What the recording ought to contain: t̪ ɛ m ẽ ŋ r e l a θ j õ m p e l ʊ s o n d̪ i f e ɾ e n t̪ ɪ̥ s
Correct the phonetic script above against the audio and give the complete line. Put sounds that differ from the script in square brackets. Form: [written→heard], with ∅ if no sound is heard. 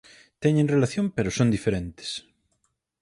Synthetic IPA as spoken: t̪ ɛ [m→ɲ] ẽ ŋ r e l a θ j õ m p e [l→ɾ] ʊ s o n d̪ i f e ɾ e n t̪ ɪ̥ s